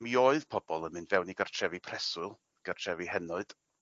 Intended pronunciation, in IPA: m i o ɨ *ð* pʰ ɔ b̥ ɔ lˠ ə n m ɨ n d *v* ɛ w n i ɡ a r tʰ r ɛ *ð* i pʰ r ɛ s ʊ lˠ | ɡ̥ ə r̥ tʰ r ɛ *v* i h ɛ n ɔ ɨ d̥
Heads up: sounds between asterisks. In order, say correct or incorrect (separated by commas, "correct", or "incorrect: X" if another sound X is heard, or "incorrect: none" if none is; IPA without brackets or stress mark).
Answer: correct, correct, incorrect: v, correct